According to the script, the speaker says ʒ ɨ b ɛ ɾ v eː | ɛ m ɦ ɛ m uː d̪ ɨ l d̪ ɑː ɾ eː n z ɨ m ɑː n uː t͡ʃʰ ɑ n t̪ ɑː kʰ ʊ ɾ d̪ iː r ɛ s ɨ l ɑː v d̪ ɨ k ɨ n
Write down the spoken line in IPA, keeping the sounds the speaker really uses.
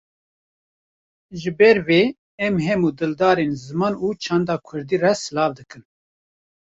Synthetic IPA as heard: ʒ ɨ b ɛ ɾ v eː | ɛ m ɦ ɛ m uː d̪ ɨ l d̪ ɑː ɾ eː n z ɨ m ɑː n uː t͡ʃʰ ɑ n d̪ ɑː kʰ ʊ ɾ d̪ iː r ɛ s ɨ l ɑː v d̪ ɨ k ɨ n